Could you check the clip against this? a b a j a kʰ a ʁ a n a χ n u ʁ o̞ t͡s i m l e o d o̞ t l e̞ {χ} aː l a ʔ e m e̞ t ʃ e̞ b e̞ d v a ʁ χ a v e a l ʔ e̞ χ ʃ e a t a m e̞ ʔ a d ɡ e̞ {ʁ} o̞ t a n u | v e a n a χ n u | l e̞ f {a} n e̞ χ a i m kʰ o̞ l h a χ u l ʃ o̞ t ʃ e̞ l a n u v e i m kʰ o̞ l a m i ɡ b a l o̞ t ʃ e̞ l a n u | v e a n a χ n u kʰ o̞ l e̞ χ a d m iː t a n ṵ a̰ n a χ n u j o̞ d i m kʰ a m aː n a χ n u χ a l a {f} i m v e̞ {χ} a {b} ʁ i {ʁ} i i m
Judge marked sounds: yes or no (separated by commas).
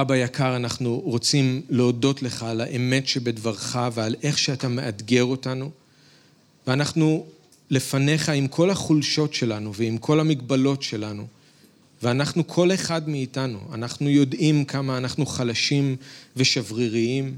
yes, yes, yes, no, no, no, yes